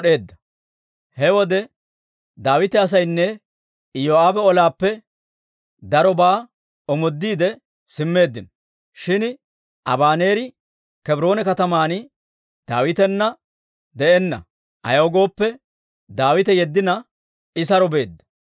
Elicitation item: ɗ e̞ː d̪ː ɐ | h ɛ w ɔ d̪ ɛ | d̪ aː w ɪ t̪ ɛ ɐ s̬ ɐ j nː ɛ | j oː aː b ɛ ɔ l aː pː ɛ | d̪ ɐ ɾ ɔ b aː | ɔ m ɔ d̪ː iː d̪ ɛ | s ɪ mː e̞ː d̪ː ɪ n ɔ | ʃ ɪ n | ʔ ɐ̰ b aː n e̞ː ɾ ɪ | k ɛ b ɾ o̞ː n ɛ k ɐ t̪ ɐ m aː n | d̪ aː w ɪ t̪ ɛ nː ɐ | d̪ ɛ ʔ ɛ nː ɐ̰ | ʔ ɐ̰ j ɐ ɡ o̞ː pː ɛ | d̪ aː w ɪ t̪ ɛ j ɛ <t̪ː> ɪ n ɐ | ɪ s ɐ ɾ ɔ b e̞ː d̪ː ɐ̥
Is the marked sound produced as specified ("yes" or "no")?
no